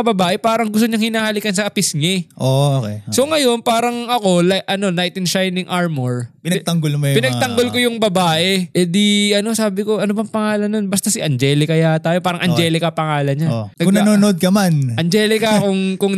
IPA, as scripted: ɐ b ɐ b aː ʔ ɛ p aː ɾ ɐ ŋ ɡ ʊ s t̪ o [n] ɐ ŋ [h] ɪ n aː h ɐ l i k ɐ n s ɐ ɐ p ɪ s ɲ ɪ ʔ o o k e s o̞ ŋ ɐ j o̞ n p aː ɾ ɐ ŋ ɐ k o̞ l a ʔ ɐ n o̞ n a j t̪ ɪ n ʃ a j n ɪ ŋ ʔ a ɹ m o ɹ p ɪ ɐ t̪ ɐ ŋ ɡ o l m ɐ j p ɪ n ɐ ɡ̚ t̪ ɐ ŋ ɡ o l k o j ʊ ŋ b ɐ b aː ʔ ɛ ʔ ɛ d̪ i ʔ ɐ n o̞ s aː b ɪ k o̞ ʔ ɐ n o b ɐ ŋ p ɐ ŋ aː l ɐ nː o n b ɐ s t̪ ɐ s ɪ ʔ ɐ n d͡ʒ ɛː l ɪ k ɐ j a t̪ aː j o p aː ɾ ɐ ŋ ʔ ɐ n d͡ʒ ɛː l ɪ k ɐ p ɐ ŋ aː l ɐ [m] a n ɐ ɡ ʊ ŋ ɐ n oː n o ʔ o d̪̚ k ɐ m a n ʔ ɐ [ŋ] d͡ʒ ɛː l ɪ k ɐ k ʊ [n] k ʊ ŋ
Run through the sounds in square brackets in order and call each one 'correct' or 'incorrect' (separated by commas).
incorrect, correct, incorrect, incorrect, incorrect